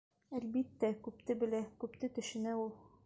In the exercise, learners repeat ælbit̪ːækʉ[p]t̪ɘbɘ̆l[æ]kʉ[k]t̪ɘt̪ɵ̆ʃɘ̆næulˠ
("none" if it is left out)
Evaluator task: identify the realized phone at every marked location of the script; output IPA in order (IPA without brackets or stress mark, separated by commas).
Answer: p, æ, p